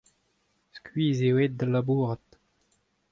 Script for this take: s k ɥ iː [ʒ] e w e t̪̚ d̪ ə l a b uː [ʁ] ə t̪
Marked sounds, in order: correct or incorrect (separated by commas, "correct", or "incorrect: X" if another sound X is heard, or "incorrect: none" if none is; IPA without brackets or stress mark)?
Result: incorrect: z, correct